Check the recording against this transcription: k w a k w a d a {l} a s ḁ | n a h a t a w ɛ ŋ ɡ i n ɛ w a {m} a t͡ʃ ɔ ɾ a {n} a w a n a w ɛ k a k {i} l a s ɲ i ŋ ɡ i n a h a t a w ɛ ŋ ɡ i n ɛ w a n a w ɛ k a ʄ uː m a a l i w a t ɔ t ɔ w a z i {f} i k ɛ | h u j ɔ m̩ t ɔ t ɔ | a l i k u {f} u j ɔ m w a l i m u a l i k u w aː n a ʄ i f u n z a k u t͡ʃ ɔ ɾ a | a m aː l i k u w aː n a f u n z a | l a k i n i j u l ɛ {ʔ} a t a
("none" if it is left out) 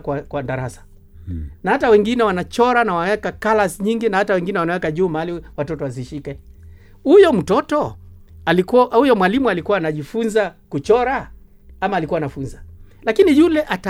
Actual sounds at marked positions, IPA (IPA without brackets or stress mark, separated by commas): ɾ, n, n, a, ʃ, h, ʔ